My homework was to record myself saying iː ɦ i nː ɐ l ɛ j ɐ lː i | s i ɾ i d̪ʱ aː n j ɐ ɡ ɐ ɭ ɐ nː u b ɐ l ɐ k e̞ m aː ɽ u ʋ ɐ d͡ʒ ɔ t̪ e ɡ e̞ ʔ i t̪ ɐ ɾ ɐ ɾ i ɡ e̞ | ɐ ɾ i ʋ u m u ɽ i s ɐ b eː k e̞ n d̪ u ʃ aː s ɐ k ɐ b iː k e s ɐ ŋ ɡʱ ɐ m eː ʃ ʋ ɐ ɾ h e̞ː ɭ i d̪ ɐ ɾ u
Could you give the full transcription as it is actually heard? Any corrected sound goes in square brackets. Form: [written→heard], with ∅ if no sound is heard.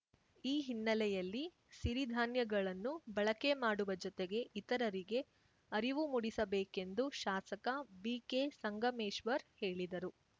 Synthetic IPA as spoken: iː ɦ i nː ɐ l ɛ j ɐ lː i | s i ɾ i d̪ʱ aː n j ɐ ɡ ɐ ɭ ɐ nː u b ɐ [l→ɭ] ɐ k e̞ m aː ɽ u ʋ ɐ d͡ʒ ɔ t̪ e ɡ e̞ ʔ i t̪ ɐ ɾ ɐ ɾ i ɡ e̞ | ɐ ɾ i ʋ u m u ɽ i s ɐ b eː k e̞ n d̪ u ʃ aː s ɐ k ɐ b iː k e s ɐ ŋ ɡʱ ɐ m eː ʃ ʋ ɐ ɾ h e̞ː ɭ i d̪ ɐ ɾ u